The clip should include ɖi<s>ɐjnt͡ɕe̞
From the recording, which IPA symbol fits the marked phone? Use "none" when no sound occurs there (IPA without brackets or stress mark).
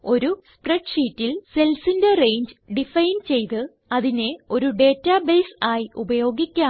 f